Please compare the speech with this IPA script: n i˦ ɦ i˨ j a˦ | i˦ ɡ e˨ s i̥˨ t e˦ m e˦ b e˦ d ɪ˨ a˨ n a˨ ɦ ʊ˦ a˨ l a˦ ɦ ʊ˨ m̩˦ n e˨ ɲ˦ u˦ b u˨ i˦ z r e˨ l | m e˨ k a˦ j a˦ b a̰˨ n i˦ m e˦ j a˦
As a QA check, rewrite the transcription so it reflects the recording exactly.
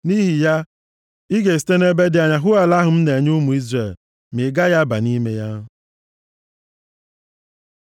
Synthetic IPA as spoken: n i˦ ɦ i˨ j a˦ | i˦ ɡ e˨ s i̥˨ t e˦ n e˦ b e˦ d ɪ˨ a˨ ɲ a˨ ɦ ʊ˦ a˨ l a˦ ɦ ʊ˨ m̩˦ n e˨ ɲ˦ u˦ m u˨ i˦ z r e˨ l | m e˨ ɡ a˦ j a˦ b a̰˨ n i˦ m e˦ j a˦